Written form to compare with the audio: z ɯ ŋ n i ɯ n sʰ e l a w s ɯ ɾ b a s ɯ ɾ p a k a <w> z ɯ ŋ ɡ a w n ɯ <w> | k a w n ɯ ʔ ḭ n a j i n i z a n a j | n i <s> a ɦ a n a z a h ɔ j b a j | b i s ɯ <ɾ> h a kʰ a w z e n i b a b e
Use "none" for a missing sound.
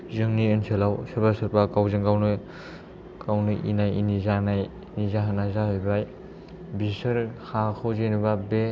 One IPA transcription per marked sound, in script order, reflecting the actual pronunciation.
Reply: w, none, z, ɾ

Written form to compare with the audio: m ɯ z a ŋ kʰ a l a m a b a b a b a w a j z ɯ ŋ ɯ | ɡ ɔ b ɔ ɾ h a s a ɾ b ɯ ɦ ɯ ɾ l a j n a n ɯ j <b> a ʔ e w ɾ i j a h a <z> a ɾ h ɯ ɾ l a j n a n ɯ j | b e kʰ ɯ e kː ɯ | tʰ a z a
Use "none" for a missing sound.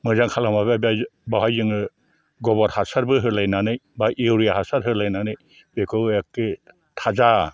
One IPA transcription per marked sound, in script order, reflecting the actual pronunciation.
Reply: b, s

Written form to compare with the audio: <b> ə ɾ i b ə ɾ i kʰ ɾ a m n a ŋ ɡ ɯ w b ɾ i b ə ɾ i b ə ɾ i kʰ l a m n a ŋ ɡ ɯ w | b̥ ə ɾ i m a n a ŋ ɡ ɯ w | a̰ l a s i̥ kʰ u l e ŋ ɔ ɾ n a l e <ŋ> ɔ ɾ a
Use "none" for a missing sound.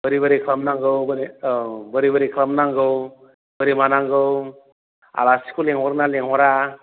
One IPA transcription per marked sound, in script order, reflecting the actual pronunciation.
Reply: b, ŋ

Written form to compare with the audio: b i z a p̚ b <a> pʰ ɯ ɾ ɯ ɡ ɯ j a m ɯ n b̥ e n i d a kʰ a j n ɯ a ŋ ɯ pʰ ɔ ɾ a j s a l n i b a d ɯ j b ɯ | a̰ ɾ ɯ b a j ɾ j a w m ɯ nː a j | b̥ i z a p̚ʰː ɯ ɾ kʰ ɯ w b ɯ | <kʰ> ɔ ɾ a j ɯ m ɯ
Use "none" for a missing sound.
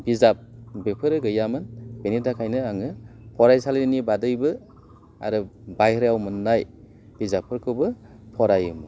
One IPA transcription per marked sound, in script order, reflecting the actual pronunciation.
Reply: e, pʰ

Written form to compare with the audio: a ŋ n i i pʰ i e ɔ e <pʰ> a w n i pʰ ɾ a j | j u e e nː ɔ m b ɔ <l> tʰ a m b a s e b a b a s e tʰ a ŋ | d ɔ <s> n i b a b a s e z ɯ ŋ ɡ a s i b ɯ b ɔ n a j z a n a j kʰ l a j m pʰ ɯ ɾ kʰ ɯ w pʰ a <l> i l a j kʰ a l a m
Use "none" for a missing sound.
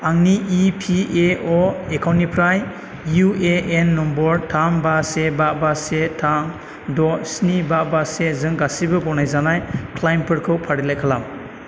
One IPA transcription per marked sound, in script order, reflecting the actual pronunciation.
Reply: kʰ, ɾ, s, ɾ

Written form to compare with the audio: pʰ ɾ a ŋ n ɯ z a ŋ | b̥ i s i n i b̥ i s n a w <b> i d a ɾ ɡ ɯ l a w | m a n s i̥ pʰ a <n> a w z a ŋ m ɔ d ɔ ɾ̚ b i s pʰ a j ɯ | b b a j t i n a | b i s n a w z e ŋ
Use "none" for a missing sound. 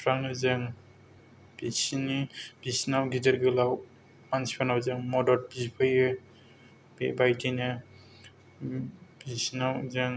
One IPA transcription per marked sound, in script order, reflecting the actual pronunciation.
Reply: ɡ, n

